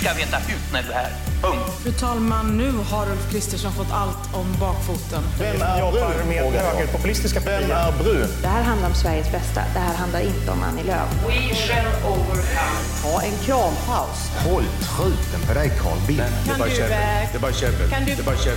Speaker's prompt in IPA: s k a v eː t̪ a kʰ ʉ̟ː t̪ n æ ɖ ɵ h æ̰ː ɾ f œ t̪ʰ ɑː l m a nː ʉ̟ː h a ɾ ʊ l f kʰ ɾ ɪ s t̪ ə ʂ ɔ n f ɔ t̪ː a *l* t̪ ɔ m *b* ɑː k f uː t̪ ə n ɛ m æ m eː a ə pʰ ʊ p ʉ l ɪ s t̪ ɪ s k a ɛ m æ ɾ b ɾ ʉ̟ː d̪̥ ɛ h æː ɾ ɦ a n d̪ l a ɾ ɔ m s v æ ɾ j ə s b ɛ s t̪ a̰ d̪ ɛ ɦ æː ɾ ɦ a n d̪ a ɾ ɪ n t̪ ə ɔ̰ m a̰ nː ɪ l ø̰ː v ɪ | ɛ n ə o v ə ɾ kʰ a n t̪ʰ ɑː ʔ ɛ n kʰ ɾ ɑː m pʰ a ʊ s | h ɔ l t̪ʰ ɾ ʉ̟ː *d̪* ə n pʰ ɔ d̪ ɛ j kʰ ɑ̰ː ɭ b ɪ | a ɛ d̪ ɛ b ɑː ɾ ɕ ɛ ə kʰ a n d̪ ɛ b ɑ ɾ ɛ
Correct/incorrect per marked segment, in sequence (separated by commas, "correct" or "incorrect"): correct, correct, incorrect